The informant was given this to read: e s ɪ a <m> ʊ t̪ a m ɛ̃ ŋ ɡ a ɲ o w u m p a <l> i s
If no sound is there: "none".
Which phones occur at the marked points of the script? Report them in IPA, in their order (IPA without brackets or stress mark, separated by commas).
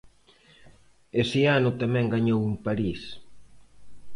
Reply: n, ɾ